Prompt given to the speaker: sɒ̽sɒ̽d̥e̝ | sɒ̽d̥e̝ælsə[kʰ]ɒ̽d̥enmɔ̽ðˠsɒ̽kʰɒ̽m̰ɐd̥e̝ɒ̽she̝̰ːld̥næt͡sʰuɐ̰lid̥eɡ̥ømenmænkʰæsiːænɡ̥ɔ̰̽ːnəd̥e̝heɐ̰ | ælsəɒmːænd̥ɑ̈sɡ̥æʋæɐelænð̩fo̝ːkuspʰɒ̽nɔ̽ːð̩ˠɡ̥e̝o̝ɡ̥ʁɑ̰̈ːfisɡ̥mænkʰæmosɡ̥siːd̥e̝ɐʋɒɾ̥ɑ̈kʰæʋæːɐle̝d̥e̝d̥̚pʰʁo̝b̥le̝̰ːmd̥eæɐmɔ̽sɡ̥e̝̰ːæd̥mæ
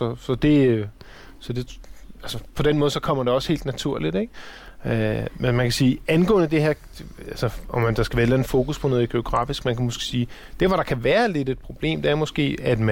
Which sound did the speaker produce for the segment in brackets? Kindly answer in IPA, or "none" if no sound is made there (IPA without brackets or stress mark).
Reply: pʰ